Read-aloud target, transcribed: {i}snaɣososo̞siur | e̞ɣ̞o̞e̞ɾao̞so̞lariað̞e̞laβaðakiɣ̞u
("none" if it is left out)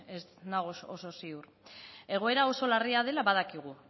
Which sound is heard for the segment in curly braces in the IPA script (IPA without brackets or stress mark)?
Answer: e